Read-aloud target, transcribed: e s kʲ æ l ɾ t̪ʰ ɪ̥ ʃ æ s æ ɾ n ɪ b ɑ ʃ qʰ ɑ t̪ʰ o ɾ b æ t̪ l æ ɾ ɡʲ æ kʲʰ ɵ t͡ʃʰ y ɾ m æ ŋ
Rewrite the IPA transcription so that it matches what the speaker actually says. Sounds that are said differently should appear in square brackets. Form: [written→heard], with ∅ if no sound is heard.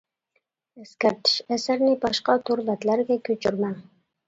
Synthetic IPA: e s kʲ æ [l→∅] ɾ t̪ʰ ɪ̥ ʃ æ s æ ɾ n ɪ b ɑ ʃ [qʰ→q] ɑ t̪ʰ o ɾ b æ t̪ l æ ɾ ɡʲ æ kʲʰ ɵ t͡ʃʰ y ɾ m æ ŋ